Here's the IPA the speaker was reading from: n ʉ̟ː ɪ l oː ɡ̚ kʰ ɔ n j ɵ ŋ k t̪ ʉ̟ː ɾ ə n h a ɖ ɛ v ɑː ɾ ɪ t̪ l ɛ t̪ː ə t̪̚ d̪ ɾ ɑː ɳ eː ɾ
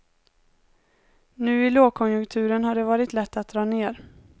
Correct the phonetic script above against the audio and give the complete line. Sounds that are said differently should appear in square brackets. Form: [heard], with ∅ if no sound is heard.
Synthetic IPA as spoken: n ʉ̟ː ɪ l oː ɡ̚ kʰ ɔ n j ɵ ŋ k [t̪ʰ] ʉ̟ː ɾ ə n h a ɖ ɛ v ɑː ɾ ɪ t̪ l ɛ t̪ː [a] t̪̚ d̪ ɾ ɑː [n] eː ɾ